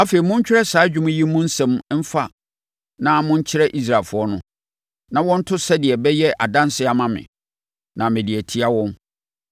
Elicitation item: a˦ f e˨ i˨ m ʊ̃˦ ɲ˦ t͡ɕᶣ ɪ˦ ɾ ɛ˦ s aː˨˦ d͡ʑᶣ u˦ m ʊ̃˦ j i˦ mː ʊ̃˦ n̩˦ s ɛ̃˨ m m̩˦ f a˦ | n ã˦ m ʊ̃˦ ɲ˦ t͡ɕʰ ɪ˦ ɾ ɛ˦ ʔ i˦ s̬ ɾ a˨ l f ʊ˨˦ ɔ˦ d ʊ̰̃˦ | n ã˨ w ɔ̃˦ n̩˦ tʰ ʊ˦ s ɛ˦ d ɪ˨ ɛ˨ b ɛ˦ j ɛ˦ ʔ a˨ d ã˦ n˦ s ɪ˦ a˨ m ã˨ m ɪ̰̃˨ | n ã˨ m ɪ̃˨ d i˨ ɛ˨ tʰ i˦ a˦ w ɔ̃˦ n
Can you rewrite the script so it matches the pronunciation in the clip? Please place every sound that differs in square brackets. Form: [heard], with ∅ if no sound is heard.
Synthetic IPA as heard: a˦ f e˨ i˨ m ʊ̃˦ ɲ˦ t͡ɕᶣ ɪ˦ ɾ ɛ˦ s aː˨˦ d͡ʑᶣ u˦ m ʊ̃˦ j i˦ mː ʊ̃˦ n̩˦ s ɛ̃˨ m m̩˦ f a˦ | n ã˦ m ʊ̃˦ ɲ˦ t͡ɕʰ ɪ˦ ɾ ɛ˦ ʔ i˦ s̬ ɾ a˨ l f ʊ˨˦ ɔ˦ [n] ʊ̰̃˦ | n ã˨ w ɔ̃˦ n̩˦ tʰ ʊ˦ s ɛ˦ d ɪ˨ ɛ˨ b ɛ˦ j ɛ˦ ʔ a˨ d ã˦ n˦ s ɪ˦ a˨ m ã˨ m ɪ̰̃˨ | n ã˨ m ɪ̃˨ d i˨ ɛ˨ tʰ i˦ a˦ w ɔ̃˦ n